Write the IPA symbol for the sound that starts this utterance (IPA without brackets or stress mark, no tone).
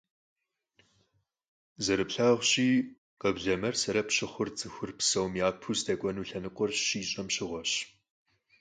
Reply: z